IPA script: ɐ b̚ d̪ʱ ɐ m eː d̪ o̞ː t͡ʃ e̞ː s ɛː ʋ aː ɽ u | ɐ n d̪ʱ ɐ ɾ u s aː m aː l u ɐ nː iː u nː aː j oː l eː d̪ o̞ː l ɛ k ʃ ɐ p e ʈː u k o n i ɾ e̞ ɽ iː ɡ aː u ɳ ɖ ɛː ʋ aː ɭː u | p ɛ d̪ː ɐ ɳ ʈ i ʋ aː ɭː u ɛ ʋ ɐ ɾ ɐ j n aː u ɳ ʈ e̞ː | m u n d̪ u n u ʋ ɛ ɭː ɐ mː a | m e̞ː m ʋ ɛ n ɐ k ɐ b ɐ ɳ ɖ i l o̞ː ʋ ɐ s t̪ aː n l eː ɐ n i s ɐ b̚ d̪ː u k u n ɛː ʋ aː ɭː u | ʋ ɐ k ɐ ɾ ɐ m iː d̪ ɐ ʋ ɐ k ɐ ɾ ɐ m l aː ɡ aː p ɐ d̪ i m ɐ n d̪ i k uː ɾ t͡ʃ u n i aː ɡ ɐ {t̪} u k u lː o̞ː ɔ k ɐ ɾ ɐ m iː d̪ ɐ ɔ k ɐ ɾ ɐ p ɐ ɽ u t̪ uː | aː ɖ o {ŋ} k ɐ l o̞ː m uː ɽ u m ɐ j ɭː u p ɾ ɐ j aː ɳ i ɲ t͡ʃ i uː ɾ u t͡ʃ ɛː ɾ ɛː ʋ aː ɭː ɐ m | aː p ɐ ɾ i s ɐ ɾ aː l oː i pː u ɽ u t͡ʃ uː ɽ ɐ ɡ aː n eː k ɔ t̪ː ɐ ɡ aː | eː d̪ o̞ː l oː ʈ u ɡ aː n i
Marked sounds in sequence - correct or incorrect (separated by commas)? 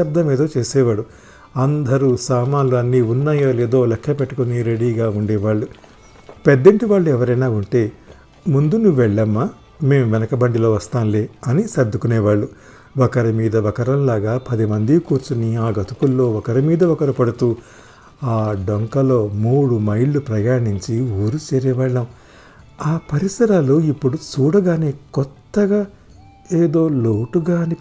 correct, correct